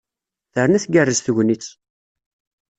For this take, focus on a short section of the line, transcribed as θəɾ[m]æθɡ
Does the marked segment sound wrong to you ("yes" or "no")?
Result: yes